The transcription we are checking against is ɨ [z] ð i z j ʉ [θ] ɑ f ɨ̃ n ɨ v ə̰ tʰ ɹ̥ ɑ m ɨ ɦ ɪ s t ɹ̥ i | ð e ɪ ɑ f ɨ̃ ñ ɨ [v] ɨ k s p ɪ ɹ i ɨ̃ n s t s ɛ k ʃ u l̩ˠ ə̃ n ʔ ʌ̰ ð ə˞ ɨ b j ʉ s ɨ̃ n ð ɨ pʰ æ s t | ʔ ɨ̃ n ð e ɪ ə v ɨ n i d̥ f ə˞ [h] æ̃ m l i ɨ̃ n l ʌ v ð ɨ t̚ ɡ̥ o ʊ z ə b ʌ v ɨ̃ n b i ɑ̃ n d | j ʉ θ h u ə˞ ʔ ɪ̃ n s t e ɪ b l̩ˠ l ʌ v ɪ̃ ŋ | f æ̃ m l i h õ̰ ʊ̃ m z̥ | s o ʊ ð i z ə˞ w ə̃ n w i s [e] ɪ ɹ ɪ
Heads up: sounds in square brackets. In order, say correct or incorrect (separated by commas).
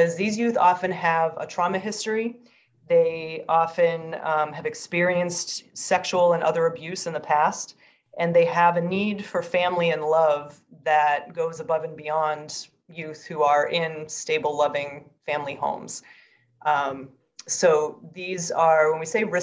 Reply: correct, correct, correct, incorrect, correct